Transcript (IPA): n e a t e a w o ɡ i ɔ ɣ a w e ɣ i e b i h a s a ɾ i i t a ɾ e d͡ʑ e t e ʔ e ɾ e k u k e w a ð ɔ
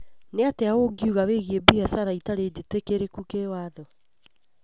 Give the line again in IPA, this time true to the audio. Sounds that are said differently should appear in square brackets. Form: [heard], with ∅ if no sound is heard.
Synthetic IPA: n e a t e a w o ɡ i [u] ɣ a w e ɣ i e b i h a s a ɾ [a] i t a ɾ e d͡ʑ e t e [k] e ɾ e k u k e w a ð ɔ